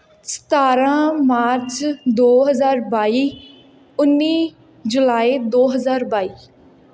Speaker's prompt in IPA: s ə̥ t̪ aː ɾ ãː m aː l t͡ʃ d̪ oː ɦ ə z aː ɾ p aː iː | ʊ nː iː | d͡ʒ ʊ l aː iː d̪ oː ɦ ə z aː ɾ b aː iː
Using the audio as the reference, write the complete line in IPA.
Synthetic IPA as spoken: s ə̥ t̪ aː ɾ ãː m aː ɾ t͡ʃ d̪ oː ɦ ə z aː ɾ b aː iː | ʊ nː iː | d͡ʒ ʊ l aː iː d̪ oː ɦ ə z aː ɾ b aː iː